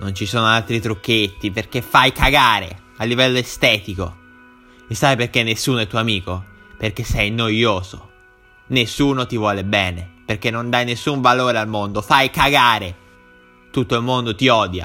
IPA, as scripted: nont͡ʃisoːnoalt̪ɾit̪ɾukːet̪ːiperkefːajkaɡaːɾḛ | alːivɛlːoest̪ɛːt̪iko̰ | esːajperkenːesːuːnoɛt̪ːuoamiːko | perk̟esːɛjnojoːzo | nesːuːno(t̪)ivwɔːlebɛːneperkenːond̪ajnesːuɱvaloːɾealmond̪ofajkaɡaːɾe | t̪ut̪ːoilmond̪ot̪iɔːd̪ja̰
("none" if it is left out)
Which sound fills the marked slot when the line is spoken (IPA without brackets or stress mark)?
t̪